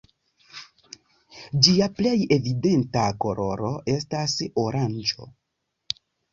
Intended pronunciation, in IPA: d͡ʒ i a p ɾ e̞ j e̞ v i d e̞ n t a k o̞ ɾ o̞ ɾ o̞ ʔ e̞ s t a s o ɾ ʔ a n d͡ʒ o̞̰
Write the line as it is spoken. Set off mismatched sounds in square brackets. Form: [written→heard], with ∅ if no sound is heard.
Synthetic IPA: d͡ʒ i a p [ɾ→l] e̞ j e̞ v i d e̞ n t a k o̞ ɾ o̞ ɾ o̞ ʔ e̞ s t a s o ɾ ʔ a n d͡ʒ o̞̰

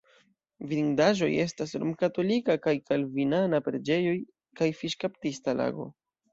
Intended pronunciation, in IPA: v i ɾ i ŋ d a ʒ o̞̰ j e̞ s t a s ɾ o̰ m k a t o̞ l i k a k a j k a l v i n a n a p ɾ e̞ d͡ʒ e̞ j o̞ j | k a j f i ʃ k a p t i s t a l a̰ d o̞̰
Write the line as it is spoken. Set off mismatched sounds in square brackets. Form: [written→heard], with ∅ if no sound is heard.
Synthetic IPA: v i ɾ i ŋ d a ʒ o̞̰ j e̞ s t a s ɾ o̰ m k a t o̞ l i k a k a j k a l v i n a n a p ɾ e̞ d͡ʒ e̞ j o̞ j | k a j f i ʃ k a p t i s t a l a̰ [d→ɡ] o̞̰

